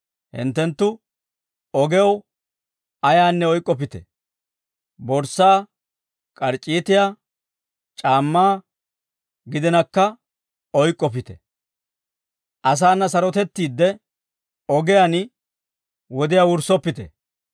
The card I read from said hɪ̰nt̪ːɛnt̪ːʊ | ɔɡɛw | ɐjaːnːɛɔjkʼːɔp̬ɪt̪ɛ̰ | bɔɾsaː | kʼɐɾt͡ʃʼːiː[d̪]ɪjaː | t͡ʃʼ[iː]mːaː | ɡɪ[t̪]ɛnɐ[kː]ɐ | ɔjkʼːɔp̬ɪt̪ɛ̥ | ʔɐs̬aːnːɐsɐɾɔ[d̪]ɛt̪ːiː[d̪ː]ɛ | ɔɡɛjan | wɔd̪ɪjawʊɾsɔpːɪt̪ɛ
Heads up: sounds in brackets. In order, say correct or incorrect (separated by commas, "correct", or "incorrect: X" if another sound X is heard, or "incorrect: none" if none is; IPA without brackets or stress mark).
incorrect: t̪, incorrect: aː, incorrect: d̪, correct, incorrect: t̪, correct